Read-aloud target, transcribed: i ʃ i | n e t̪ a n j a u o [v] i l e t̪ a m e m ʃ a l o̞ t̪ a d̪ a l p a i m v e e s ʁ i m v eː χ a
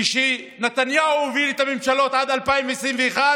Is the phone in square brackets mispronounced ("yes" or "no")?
no